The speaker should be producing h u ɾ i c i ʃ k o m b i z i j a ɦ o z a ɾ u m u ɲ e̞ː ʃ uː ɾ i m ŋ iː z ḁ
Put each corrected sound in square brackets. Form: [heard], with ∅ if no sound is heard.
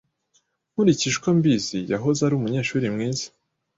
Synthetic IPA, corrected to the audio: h u ɾ i c i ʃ k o m b i z i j a ɦ o z a ɾ u m u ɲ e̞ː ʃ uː ɾ i m ŋ iː z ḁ